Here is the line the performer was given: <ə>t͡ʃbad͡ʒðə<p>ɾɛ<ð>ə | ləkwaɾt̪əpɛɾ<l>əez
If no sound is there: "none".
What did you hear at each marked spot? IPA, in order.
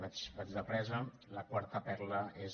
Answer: a, p, z, l

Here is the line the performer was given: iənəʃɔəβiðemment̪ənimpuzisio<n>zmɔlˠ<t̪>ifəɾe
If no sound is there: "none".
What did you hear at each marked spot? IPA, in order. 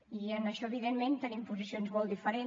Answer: n, d̪

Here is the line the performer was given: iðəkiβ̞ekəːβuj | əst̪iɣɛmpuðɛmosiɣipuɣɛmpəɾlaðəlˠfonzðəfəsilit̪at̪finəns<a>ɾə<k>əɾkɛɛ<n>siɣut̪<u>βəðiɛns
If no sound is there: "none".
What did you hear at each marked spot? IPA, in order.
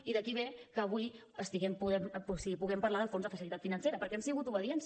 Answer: e, p, m, u

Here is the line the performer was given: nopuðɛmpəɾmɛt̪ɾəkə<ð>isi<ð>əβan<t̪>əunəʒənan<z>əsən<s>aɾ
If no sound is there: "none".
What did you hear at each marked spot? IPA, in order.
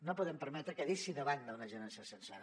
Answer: ð, ð, d̪, s, s

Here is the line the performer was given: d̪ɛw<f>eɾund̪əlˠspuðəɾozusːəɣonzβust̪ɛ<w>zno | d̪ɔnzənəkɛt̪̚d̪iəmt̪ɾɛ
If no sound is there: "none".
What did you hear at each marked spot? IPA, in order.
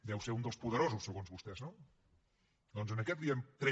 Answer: s, none

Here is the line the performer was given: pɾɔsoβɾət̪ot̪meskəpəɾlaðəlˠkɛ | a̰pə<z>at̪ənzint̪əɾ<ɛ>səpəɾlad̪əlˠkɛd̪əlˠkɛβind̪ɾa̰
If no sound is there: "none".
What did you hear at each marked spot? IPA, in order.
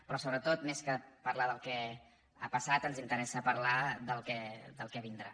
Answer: s, ɛ

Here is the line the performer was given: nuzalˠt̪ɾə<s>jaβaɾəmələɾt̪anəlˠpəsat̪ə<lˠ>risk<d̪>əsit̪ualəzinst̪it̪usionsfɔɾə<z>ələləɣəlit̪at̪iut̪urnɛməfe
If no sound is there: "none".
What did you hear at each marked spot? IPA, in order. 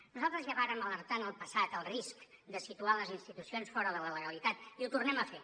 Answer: z, lˠ, d̪, ð

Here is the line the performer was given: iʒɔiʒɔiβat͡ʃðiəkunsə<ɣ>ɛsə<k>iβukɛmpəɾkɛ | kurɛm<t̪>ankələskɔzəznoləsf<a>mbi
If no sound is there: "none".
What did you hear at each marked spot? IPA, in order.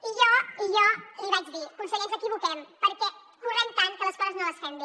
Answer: ɣ, k, t̪, ɛ

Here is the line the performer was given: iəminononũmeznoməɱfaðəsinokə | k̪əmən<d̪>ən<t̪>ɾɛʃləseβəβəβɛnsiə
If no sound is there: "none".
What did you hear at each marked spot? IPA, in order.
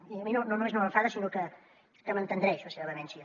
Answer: t̪, d̪

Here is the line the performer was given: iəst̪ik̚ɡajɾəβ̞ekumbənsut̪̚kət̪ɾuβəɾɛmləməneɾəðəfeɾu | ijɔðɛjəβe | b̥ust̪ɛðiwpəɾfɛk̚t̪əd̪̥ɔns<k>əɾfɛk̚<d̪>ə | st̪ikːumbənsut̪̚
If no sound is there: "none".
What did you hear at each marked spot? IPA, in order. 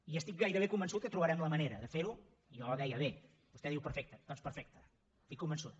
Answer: p, t̪

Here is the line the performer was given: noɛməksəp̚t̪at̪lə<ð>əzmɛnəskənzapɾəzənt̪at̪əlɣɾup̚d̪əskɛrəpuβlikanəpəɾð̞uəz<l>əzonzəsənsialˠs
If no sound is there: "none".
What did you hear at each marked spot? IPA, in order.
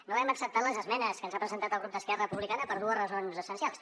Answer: z, r

